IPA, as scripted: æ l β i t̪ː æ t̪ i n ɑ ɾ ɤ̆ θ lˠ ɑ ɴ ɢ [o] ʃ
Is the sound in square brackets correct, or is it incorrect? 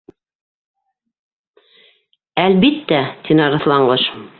incorrect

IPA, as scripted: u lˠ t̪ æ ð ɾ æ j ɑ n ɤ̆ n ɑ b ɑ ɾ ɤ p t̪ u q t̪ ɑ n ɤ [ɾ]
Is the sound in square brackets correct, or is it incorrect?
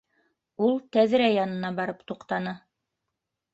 incorrect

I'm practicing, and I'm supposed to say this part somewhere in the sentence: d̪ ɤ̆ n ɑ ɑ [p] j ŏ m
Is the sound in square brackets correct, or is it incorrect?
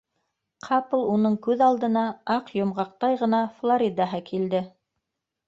incorrect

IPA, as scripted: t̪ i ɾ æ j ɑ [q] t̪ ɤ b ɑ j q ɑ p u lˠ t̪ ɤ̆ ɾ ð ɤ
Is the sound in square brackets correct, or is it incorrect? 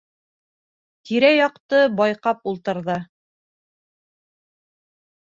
correct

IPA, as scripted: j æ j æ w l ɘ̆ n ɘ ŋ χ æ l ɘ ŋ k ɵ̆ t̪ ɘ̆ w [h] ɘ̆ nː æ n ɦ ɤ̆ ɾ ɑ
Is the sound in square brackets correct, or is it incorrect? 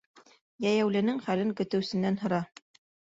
incorrect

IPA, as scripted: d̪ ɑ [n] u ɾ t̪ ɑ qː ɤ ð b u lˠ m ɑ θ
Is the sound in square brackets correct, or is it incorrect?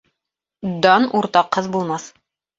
correct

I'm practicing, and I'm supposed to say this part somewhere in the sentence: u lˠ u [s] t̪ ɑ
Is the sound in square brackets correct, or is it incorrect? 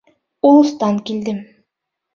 correct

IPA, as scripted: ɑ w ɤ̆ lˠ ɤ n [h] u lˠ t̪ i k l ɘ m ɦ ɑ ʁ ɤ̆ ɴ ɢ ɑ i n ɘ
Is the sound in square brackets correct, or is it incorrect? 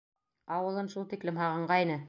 incorrect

